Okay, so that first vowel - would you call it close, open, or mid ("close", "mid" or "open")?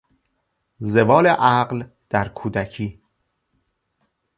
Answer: mid